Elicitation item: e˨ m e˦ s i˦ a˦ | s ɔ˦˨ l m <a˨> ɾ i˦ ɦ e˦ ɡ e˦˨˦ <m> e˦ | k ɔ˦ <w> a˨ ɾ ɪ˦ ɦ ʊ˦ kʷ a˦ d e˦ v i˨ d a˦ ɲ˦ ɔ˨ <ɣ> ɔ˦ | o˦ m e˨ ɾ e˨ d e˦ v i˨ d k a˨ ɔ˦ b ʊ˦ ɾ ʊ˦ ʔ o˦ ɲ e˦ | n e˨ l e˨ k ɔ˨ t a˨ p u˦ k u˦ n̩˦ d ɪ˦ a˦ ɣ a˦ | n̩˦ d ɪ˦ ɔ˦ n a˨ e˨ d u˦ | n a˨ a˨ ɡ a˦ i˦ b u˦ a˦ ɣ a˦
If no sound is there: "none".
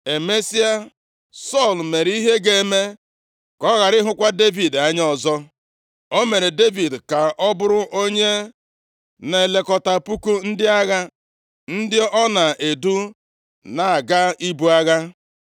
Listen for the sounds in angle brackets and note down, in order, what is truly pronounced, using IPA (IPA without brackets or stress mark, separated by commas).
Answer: e˨, m, ɣ, z